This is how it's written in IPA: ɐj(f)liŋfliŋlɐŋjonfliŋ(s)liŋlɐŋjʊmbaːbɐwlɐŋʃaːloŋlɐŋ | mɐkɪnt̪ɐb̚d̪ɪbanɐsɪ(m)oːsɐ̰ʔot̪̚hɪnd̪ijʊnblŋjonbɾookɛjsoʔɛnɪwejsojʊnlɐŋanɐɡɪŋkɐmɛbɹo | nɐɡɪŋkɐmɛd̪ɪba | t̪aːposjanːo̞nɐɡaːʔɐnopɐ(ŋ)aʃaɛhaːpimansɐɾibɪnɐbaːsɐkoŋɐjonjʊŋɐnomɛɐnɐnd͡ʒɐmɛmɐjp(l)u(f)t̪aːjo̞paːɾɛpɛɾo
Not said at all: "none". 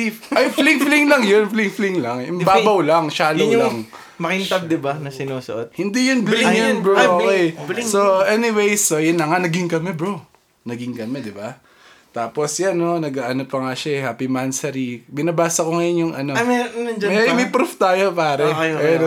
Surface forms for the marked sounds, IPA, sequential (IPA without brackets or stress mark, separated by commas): f, f, n, ŋ, ɾ, f